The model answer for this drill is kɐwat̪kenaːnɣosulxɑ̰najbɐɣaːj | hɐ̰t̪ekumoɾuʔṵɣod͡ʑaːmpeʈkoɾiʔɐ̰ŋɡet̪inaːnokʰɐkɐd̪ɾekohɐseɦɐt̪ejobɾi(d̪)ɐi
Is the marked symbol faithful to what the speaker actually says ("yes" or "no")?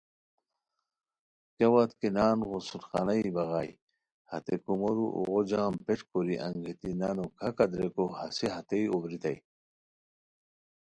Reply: no